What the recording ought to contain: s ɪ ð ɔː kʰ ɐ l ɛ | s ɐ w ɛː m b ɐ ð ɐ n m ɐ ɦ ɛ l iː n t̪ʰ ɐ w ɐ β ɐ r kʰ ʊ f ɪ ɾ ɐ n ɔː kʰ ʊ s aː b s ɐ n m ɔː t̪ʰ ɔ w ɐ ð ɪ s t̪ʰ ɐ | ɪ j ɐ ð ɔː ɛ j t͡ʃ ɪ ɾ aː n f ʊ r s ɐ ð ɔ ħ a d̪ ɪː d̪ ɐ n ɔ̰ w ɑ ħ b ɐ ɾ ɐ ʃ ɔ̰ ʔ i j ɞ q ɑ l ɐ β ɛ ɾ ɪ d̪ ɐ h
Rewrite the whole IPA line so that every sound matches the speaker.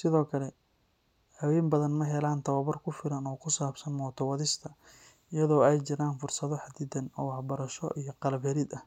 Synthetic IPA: s ɪ ð ɔː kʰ ɐ l ɛ | h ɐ w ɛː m b ɐ ð ɐ n m ɐ ɦ ɛ l aː n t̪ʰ ɐ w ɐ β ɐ r kʰ ʊ f ɪ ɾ ɐ n ɔː kʰ ʊ s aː b s ɐ n m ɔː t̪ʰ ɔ w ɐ ð ɪ s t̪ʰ ɐ | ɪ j ɐ ð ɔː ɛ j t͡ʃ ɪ ɾ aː n f ʊ r s ɐ ð ɔ ħ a d̪ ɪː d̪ ɐ n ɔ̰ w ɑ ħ b ɐ ɾ ɐ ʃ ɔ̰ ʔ i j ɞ q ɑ l ɐ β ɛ ɾ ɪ d̪ ɐ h